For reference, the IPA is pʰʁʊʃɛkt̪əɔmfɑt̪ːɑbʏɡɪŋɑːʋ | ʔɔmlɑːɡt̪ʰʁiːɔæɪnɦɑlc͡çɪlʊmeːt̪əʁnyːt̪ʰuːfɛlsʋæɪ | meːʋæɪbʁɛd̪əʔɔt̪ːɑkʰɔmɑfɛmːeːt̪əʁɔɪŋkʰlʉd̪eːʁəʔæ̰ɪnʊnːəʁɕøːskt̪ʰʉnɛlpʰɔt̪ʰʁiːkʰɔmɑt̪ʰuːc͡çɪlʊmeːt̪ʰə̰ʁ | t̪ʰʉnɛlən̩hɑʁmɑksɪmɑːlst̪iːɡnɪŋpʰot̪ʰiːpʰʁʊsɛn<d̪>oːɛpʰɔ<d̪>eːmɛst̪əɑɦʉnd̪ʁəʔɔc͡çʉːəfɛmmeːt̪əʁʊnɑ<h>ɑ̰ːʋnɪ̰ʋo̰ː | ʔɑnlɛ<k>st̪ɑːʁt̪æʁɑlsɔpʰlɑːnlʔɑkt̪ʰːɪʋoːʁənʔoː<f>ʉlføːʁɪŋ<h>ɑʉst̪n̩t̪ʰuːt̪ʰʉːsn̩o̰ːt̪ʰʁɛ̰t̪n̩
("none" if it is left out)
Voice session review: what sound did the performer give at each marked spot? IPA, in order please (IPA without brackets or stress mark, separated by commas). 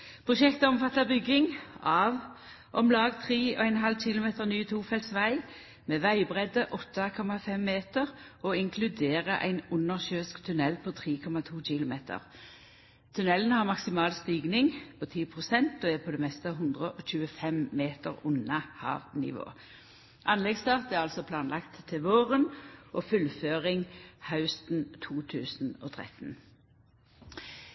t̪, d̪, h, ɡ, f, h